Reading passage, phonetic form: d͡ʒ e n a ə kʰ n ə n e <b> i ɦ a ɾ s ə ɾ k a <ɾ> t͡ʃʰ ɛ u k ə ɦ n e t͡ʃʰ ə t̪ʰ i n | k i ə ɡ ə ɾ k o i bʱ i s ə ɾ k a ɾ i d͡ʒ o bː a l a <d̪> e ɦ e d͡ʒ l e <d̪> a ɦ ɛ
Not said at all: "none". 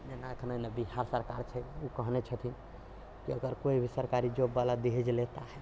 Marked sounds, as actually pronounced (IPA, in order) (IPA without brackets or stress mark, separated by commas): b, ɾ, d̪, t̪